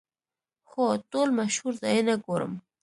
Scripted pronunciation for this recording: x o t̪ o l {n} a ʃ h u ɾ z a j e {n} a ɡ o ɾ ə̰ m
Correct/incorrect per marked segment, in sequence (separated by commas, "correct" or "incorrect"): incorrect, correct